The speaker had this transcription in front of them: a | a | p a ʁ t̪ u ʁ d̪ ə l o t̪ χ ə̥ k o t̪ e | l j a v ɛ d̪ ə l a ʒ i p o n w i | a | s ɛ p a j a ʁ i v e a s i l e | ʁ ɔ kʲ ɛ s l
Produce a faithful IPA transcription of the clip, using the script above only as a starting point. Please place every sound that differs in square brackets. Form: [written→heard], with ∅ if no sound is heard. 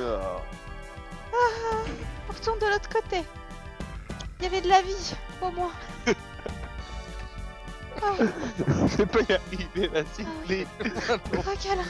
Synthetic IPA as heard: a | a | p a ʁ t̪ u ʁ d̪ ə l o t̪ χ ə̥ k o t̪ e | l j a v ɛ d̪ ə l a [ʒ→v] i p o [n→m] w [i→a] | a | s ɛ p a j a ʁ i v e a s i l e | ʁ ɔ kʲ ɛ [s→∅] l